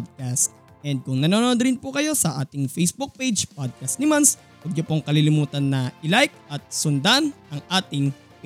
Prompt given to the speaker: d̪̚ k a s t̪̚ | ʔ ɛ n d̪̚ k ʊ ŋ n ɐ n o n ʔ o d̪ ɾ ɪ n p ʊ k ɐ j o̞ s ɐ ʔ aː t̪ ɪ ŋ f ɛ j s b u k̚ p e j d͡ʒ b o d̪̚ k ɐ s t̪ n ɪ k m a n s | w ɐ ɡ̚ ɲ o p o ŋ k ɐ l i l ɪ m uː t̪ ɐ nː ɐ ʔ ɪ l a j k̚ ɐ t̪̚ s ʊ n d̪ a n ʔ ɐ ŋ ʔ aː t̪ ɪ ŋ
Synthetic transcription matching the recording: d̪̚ k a s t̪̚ | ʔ ɛ n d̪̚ k ʊ ŋ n ɐ n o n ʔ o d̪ ɾ ɪ n p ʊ k ɐ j o̞ s ɐ ʔ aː t̪ ɪ ŋ f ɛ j s b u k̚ p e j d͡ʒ p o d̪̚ k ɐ s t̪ n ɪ m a n s | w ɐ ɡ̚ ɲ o p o ŋ k ɐ l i l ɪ m uː t̪ ɐ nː ɐ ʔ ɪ l a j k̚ ɐ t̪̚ s ʊ n d̪ a n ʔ ɐ ŋ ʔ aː t̪ ɪ ŋ